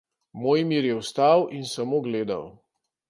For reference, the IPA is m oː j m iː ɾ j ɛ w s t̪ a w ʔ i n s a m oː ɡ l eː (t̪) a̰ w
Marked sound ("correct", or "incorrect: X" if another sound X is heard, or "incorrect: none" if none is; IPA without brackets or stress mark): incorrect: d̪